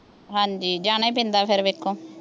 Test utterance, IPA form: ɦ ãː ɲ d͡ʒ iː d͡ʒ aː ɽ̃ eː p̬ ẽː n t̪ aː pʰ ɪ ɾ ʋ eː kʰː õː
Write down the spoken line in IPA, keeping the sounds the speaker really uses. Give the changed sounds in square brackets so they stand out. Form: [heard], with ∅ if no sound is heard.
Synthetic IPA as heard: ɦ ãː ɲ d͡ʒ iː d͡ʒ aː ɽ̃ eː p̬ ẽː n [d̪] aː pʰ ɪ ɾ ʋ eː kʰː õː